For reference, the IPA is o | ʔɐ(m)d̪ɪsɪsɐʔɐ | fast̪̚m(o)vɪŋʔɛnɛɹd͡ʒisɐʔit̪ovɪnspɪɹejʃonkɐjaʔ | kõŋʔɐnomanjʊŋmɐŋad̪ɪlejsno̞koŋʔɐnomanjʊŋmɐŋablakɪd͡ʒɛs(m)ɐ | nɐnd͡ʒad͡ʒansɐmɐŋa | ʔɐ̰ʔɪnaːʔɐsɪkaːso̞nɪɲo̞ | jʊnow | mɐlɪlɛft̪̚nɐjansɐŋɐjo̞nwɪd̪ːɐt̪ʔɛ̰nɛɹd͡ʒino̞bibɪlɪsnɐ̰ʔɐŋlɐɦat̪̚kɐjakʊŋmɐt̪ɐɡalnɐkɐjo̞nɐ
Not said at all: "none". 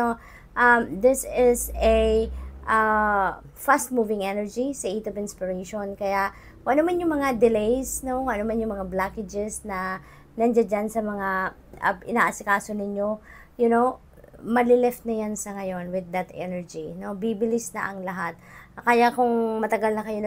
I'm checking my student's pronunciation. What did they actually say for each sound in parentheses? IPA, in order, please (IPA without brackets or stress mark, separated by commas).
m, u, n